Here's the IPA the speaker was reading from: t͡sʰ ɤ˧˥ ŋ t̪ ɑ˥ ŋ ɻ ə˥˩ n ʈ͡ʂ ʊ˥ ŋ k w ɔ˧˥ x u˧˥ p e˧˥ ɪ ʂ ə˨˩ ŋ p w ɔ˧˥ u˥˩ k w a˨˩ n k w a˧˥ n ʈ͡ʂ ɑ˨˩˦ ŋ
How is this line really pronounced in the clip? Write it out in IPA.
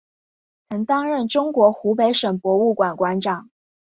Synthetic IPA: t͡sʰ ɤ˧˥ ŋ t̪ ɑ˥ ŋ ɻ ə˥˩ n ʈ͡ʂ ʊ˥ ŋ k w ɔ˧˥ x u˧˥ p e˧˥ ɪ ʂ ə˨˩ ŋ p w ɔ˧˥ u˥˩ k w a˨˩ n k w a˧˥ n ʈ͡ʂ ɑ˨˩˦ ŋ